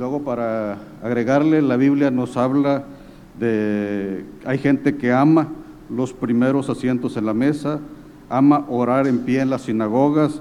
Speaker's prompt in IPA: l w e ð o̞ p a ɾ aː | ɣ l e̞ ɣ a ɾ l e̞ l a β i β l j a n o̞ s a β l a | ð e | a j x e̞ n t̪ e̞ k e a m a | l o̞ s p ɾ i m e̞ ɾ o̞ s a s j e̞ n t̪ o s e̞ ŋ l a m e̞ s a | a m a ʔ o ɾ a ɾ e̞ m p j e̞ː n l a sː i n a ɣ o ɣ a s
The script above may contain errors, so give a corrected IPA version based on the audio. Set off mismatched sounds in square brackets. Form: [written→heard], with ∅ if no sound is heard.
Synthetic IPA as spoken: l w e [ð→ɣ] o̞ p a ɾ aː | ɣ [l→ɾ] e̞ ɣ a ɾ l e̞ l a β i β l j a n o̞ s a β l a | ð e | a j x e̞ n t̪ e̞ k e a m a | l o̞ s p ɾ i m e̞ ɾ o̞ s a s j e̞ n t̪ o s e̞ [ŋ→n] l a m e̞ s a | a m a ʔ o ɾ a ɾ e̞ m p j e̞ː n l a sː i n a ɣ o ɣ a s